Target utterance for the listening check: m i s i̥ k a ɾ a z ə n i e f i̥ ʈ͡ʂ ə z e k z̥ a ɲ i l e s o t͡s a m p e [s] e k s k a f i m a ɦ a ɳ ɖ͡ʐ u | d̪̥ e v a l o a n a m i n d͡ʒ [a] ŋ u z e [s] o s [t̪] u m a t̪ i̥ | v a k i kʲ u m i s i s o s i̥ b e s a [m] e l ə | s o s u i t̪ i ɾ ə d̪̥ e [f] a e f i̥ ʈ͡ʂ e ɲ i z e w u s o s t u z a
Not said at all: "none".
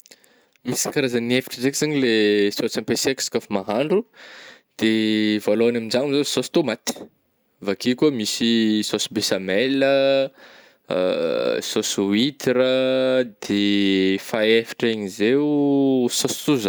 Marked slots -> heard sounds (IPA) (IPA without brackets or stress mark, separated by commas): s, a, s, t̪, m, f